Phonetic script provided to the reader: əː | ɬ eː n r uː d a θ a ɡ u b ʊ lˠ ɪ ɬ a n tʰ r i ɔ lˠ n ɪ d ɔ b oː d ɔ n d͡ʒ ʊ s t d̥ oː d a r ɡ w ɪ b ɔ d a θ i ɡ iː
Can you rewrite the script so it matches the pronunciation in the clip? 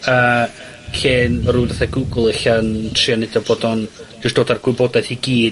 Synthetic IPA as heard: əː | ɬ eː n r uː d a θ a ɡ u ɡ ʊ lˠ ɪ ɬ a n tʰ r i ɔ n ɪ d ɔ b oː d ɔ n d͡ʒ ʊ s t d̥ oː d a r ɡ w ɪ b ɔ d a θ i ɡ iː